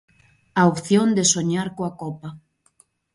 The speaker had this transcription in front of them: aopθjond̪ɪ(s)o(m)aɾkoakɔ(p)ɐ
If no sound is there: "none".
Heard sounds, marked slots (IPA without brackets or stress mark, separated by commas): s, ɲ, p